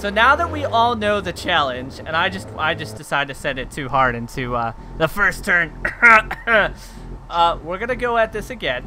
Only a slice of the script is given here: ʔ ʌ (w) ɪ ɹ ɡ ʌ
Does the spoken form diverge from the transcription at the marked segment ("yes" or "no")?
no